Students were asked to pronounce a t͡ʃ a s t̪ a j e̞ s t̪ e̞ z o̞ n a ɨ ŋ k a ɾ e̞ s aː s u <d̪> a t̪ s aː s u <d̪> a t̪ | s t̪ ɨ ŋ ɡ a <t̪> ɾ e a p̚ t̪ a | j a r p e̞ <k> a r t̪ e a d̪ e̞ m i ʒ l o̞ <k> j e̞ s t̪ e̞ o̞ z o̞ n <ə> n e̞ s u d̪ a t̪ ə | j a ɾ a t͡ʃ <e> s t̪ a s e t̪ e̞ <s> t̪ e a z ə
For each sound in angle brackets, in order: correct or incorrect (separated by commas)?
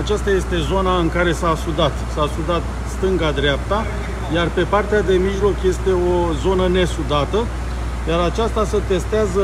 correct, correct, incorrect, incorrect, correct, correct, incorrect, correct